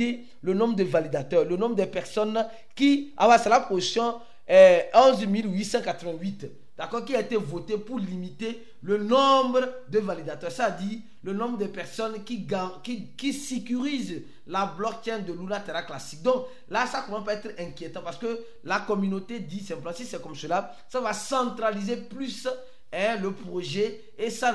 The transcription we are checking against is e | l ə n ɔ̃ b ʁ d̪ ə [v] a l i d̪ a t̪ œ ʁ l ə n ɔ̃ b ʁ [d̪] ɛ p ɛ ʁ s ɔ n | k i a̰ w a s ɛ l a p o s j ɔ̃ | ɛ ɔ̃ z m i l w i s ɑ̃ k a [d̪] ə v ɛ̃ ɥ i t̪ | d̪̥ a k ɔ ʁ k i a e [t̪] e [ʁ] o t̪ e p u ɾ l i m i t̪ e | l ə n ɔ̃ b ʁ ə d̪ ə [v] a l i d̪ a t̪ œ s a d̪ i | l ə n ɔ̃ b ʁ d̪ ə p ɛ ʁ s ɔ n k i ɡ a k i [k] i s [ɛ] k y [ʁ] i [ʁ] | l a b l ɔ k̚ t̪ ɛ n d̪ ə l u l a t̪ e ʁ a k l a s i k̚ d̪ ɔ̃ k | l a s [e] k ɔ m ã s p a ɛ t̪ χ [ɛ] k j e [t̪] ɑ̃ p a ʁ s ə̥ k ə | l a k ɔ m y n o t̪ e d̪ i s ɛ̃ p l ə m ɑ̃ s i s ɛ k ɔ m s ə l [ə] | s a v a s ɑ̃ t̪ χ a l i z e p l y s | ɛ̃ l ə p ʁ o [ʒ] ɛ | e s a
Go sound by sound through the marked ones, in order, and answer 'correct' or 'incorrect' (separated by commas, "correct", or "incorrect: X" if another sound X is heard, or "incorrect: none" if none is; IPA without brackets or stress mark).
correct, correct, incorrect: t̪, correct, incorrect: v, correct, correct, incorrect: e, correct, incorrect: z, incorrect: a, incorrect: ɛ̃, correct, incorrect: a, correct